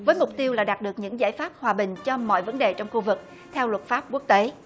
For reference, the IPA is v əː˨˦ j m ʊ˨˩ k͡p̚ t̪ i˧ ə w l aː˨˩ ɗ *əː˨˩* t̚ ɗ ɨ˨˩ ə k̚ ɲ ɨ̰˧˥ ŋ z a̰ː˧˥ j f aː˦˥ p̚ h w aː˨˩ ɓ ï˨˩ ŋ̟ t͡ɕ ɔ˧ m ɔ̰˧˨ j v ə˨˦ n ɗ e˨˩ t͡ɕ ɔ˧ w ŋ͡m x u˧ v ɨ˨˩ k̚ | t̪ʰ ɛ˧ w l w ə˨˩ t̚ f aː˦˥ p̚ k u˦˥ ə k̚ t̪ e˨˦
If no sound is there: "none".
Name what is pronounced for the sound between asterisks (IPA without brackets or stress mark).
aː˨˩